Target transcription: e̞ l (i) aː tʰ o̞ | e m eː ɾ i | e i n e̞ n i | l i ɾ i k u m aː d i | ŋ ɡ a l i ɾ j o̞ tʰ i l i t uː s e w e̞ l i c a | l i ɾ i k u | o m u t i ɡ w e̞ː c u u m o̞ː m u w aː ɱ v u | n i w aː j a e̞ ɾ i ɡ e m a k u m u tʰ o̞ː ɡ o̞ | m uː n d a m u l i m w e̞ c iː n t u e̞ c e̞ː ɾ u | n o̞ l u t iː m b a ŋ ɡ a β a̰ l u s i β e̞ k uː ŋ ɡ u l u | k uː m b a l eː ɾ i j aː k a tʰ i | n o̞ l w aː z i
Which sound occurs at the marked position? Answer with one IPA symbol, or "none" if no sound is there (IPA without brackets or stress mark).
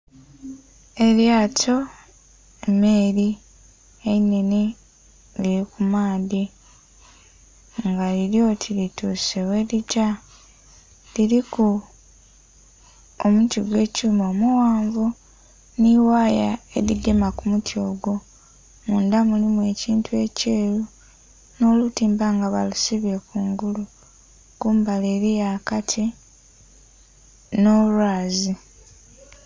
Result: j